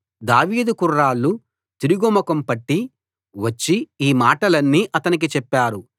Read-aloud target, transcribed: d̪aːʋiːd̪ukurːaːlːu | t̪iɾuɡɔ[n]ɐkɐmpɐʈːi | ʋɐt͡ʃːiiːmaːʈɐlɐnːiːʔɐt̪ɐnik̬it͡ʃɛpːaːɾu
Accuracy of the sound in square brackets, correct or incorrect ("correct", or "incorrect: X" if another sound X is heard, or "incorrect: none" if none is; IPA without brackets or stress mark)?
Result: incorrect: m